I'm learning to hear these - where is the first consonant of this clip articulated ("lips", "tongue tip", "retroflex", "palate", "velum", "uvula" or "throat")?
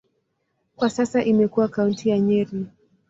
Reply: velum